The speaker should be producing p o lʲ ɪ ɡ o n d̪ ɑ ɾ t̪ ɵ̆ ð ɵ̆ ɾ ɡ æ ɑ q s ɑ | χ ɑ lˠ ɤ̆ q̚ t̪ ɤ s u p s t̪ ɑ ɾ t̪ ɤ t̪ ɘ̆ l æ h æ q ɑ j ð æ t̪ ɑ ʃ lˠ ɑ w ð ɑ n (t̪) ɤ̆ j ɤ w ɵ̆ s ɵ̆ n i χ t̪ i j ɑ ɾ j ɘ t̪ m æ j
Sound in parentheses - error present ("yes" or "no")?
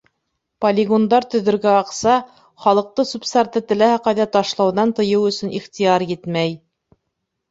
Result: no